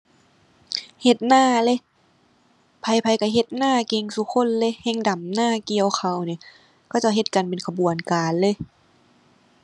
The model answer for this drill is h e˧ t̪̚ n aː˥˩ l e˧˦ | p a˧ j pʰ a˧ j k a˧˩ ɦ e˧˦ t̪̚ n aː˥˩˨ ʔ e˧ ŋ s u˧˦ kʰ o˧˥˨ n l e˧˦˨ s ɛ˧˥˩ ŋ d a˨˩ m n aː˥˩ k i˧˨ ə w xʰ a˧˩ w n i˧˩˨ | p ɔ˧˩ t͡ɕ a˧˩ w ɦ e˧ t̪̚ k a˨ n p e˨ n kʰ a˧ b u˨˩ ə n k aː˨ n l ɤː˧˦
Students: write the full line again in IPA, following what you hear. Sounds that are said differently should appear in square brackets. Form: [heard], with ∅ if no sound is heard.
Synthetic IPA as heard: h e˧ t̪̚ n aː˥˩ l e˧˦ | [pʰ] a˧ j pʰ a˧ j k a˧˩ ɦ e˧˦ t̪̚ n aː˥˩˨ [k] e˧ ŋ s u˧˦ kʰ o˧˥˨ n l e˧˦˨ [h] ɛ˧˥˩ ŋ d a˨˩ m n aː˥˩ k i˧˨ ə w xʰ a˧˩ w n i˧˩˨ | [k] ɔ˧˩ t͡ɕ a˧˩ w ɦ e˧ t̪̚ k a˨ n p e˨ n kʰ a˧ b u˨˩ ə n k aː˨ n l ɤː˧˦